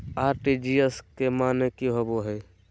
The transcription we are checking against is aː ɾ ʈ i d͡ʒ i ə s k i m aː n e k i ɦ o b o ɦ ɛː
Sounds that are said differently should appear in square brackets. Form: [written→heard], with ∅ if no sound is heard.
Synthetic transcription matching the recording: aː ɾ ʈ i d͡ʒ i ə s k [i→e] m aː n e k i ɦ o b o ɦ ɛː